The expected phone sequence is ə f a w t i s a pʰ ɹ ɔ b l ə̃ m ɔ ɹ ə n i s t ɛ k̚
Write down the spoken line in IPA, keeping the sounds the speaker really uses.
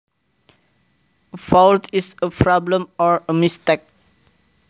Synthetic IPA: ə f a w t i s ə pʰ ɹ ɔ b l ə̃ m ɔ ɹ ə m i s t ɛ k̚